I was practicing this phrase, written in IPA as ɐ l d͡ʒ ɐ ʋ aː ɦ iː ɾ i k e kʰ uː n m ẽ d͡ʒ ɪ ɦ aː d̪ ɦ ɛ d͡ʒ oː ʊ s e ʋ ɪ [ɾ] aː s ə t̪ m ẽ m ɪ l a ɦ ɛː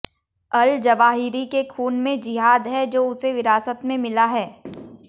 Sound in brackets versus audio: correct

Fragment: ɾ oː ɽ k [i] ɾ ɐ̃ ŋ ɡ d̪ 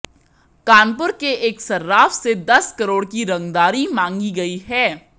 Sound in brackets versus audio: correct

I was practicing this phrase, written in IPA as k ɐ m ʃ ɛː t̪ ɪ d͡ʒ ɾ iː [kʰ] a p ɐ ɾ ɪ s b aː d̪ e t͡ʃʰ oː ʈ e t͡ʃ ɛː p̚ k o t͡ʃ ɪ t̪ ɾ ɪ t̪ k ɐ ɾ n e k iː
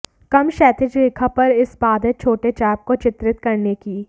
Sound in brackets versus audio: correct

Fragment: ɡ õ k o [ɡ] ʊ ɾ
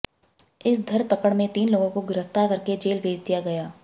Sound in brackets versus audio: correct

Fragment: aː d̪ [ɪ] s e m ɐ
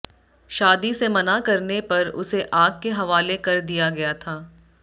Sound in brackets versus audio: incorrect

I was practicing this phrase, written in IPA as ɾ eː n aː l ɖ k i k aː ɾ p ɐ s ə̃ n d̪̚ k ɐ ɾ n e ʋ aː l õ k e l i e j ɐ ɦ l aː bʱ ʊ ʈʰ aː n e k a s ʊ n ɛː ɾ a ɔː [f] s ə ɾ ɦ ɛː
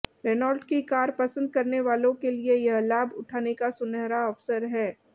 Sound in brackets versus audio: correct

